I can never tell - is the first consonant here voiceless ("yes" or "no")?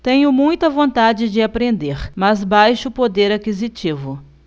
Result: yes